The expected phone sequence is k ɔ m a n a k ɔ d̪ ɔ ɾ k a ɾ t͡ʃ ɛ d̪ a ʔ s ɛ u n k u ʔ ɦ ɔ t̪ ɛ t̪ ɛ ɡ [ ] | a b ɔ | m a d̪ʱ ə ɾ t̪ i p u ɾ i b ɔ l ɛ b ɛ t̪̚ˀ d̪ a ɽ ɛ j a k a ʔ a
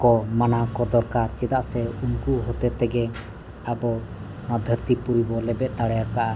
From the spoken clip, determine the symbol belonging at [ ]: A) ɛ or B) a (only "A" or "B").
A